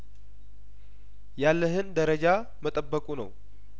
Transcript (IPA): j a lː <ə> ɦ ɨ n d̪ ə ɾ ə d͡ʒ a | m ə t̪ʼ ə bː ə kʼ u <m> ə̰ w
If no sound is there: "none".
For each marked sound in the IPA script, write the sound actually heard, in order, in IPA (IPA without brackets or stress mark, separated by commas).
ə, n